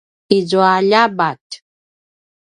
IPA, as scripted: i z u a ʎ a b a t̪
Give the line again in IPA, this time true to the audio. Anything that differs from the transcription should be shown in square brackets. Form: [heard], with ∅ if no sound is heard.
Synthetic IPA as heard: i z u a ʎ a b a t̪